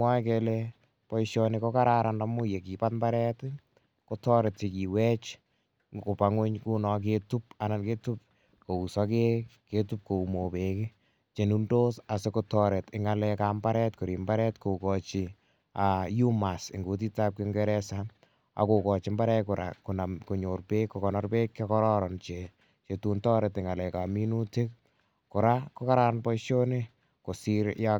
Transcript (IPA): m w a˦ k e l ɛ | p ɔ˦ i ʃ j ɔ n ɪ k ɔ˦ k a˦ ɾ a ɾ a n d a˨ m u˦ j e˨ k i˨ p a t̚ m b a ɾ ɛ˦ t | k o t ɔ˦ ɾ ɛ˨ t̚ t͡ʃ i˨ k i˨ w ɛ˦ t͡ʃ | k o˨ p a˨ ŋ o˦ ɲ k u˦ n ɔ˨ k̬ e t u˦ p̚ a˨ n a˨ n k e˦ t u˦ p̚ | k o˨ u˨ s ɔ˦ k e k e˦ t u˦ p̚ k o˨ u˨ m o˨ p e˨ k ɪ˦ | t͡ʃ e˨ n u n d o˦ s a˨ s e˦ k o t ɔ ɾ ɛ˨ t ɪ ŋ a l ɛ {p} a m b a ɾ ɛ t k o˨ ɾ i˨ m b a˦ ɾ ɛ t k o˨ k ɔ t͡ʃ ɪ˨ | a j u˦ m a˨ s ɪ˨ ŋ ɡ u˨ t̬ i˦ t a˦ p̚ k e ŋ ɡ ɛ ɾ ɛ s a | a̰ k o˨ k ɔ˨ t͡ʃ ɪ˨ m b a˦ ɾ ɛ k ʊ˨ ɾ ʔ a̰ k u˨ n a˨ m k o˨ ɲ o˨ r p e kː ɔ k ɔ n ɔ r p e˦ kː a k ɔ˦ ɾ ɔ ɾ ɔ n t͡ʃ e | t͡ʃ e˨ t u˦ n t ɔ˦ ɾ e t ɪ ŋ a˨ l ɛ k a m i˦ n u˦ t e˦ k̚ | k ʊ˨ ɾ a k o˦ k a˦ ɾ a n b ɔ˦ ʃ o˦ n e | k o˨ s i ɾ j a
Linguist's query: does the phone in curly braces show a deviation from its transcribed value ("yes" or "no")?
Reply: yes